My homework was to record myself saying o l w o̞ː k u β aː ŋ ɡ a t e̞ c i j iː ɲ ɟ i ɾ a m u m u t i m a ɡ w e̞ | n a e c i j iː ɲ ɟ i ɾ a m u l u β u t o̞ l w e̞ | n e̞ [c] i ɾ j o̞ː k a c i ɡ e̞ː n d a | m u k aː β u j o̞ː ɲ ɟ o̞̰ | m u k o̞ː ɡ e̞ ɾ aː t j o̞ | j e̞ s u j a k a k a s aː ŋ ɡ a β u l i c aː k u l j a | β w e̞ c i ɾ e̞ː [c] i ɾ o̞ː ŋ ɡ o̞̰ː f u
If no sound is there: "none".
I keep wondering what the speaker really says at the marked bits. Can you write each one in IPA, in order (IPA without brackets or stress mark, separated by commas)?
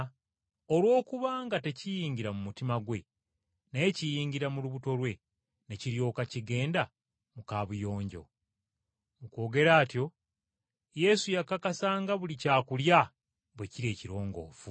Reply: c, c